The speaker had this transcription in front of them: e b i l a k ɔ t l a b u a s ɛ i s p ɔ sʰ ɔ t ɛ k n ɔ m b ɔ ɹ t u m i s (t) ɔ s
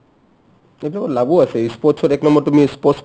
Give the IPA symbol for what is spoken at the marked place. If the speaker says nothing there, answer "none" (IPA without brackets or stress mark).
p